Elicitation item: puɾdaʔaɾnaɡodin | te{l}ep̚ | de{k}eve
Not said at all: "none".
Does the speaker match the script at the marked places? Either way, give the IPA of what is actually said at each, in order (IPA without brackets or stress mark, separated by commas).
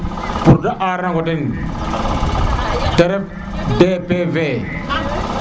ɾ, p